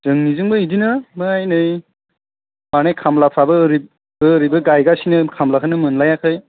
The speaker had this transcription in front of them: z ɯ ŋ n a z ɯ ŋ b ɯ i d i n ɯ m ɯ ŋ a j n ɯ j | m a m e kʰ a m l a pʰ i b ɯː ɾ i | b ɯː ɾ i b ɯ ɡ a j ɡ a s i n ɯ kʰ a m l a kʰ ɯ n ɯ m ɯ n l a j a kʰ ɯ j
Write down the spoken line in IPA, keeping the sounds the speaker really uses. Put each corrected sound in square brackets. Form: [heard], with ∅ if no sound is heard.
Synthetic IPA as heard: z ɯ ŋ n [i] z ɯ ŋ b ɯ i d i n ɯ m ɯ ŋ a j n ɯ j | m a [n] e kʰ a m l a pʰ [a] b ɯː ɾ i | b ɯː ɾ i b ɯ ɡ a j ɡ a s i n ɯ kʰ a m l a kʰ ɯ n ɯ m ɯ n l a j a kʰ ɯ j